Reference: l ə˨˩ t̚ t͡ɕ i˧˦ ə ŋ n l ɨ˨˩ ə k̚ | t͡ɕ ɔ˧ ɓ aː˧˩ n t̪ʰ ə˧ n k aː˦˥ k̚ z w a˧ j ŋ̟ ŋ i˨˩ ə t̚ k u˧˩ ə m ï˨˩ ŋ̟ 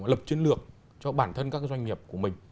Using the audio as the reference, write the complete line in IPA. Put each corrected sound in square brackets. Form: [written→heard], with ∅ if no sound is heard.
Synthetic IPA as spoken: l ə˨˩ [t̚→p̚] t͡ɕ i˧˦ ə [ŋ→∅] n l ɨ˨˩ ə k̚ | t͡ɕ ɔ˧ ɓ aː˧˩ n t̪ʰ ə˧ n k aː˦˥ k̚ z w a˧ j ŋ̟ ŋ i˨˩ ə [t̚→p̚] k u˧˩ ə m ï˨˩ ŋ̟